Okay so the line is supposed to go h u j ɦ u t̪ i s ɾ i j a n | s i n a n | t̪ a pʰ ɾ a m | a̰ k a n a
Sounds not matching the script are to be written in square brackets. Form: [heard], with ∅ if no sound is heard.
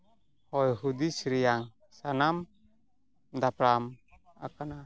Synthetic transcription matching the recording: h [ɔ] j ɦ u [d̪] i s ɾ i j a [ŋ] | s [a] n a [m] | [d̪] a [p] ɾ a m | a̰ k a n a